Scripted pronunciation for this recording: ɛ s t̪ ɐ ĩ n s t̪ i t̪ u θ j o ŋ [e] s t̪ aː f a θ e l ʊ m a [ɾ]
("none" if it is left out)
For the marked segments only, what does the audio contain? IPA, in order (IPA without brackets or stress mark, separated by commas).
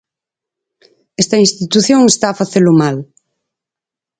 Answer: e, l